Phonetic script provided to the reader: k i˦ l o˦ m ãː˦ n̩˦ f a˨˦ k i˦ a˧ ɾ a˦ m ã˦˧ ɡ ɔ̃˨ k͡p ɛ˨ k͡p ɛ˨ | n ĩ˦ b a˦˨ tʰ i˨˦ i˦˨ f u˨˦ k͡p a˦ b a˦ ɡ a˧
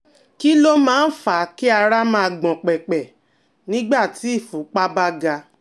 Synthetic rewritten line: k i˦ l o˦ m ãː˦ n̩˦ f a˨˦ k i˦ a˧ ɾ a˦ m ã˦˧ ɡ͡b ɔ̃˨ k͡p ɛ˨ k͡p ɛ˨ | n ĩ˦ ɡ͡b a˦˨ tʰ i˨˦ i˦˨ f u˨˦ k͡p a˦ b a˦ ɡ a˧